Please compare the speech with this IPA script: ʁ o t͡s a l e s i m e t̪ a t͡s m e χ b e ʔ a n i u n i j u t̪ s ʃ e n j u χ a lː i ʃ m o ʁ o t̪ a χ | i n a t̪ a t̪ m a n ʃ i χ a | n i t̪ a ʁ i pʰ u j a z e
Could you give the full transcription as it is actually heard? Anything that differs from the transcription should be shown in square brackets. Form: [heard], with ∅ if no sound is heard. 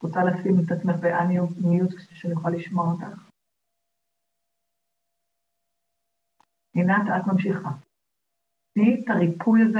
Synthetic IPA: ʁ o t͡s a l [a] s i m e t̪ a t͡s m e χ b e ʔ a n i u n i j u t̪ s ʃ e n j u χ a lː i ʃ m o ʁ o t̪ a χ | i n a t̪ a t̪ m a [m] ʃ i χ a | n i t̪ a ʁ i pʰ u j a z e